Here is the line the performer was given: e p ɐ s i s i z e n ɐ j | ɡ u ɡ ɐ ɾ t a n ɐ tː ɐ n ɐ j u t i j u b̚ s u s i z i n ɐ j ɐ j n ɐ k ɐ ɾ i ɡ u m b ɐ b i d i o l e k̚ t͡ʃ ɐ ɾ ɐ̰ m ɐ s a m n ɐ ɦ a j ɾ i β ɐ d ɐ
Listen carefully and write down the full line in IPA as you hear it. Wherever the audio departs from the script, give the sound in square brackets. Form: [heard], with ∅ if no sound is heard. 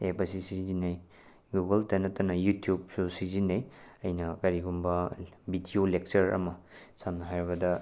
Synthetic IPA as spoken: e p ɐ s i s i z [i] n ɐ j | ɡ u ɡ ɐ [l] t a n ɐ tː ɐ n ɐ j u t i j u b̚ s u s i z i n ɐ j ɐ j n ɐ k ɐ ɾ i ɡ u m b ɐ b i d i o l e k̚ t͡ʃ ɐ ɾ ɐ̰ m ɐ s a m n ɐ ɦ a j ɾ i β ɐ d ɐ